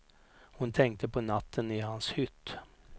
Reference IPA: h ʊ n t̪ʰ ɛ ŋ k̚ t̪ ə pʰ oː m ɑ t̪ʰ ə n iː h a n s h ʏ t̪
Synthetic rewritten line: h ʊ n t̪ʰ ɛ ŋ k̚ t̪ ə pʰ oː n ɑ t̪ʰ ə n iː h ɑ n s h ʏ t̪